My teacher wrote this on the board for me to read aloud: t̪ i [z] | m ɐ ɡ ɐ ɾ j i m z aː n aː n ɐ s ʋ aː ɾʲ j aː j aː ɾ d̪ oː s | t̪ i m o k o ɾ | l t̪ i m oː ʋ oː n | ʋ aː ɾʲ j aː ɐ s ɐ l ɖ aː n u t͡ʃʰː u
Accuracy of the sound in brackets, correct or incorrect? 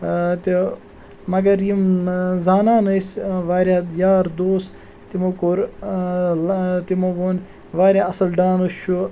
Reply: incorrect